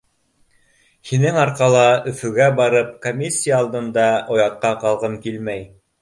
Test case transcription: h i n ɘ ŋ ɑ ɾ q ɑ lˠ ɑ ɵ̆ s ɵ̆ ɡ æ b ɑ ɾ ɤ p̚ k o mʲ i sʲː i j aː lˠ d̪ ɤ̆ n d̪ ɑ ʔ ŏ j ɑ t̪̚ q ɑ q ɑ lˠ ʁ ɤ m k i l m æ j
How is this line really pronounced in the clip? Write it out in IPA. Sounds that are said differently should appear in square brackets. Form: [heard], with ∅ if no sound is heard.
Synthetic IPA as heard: h i n ɘ ŋ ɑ ɾ q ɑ lˠ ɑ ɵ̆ [f] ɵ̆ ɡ æ b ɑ ɾ ɤ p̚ k o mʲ i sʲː i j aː lˠ d̪ ɤ̆ n d̪ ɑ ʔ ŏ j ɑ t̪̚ q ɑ q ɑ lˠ ʁ ɤ m k i l m æ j

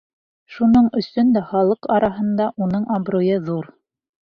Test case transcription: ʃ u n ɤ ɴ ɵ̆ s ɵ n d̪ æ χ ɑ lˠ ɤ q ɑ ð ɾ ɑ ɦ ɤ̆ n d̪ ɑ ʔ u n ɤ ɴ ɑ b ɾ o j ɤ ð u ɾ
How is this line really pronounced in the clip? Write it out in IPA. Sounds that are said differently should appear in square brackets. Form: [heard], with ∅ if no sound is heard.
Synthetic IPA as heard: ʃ u n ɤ ɴ ɵ̆ s ɵ n d̪ æ χ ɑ lˠ ɤ q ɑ [∅] ɾ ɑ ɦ ɤ̆ n d̪ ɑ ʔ u n ɤ ɴ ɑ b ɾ o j ɤ ð u ɾ

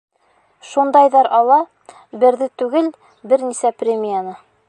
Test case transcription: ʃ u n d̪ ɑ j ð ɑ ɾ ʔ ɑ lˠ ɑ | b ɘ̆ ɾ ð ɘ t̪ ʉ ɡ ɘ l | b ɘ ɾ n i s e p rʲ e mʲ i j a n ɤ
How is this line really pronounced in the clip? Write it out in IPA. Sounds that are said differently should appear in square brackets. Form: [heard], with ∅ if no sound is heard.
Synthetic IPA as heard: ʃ u n d̪ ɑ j ð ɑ ɾ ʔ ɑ lˠ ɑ | b ɘ̆ ɾ ð ɘ t̪ ʉ ɡ ɘ l | b ɘ ɾ n i s [æ] p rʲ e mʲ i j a n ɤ

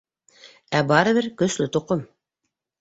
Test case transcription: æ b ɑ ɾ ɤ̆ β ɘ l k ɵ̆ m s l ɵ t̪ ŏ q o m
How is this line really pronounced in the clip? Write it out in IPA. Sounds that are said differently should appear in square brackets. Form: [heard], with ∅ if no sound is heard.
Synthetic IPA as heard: æ b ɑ ɾ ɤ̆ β ɘ [ɾ] k ɵ̆ [∅] s l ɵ t̪ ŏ q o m

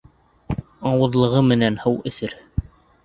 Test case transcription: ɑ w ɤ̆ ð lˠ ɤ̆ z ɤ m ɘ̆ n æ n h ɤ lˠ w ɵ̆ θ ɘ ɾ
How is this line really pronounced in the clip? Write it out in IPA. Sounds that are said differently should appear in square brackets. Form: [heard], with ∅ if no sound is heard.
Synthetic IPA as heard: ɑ w ɤ̆ ð lˠ ɤ̆ [ʁ] ɤ m ɘ̆ n æ n h ɤ [∅] w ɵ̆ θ ɘ ɾ

